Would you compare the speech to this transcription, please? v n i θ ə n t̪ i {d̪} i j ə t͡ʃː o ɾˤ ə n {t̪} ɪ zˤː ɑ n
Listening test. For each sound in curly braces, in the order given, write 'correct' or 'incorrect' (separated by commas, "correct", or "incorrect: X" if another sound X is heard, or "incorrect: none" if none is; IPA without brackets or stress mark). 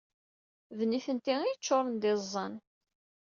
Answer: incorrect: none, incorrect: d̪